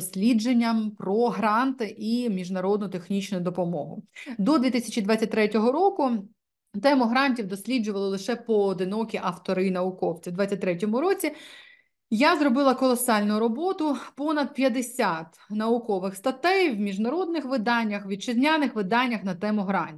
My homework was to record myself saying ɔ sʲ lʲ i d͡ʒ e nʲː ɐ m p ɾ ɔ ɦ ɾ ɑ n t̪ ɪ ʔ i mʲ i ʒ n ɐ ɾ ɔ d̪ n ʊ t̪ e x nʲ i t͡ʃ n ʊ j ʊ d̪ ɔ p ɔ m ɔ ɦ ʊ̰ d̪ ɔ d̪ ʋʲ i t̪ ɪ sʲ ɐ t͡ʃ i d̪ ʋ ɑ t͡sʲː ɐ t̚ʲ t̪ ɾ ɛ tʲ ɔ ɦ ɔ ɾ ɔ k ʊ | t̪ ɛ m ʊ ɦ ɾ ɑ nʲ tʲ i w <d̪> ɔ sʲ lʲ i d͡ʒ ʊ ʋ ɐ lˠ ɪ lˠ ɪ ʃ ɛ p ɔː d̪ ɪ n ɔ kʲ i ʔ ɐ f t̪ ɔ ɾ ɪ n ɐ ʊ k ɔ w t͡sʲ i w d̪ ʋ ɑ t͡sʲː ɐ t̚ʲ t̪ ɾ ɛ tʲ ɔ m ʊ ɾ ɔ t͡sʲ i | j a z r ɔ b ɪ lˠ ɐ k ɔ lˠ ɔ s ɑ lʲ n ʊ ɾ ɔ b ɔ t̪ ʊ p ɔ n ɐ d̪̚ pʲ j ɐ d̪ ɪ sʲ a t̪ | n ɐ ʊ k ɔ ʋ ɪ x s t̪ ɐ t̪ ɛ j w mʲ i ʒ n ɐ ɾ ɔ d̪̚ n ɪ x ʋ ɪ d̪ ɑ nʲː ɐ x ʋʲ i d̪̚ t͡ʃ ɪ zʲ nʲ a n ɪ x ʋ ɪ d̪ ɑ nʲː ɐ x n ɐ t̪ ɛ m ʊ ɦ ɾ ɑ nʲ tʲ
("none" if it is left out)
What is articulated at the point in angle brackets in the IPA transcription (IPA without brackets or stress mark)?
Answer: d̪